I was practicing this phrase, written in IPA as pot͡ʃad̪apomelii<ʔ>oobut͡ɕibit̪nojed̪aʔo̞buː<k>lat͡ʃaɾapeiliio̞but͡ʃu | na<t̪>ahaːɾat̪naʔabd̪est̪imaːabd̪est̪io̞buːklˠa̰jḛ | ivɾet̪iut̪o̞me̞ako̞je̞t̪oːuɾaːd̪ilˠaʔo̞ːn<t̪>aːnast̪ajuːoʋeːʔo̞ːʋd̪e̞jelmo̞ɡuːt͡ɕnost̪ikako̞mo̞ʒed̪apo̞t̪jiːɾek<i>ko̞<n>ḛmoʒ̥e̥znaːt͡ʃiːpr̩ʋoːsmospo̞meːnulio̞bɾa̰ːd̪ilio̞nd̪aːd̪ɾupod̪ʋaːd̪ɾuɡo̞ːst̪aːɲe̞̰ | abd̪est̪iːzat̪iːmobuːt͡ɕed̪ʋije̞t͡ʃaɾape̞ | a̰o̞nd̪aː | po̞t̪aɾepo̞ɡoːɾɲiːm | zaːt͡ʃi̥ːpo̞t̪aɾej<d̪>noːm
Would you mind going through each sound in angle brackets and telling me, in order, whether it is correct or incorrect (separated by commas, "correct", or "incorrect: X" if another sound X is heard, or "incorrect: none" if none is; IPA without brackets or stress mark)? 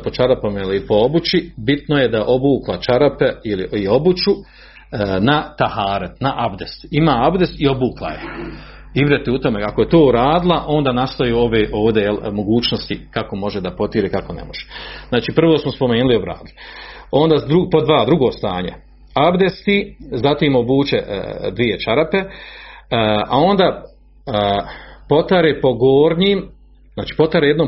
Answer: incorrect: p, correct, correct, incorrect: d̪, incorrect: a, correct, correct